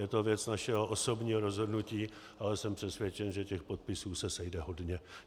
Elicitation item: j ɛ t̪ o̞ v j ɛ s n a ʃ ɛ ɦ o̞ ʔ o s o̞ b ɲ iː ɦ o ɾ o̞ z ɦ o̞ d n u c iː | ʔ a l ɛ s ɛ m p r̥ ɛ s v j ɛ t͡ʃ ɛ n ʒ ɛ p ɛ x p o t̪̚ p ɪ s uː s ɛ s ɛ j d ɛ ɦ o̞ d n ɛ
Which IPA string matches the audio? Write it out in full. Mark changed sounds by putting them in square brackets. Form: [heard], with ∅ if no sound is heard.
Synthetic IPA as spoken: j ɛ t̪ o̞ v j ɛ [t͡s] n a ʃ ɛ ɦ o̞ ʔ o s o̞ b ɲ iː ɦ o ɾ o̞ z ɦ o̞ d n u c iː | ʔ a l ɛ s ɛ m p r̥ ɛ s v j ɛ t͡ʃ ɛ n ʒ ɛ [c] ɛ x p o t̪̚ p ɪ s uː s ɛ s ɛ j d ɛ ɦ o̞ d [ɲ] ɛ